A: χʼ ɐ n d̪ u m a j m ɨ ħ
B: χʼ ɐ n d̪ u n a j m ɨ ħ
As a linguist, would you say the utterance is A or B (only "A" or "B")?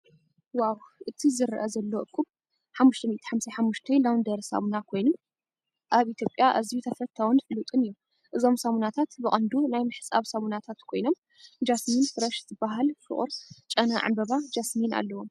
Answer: B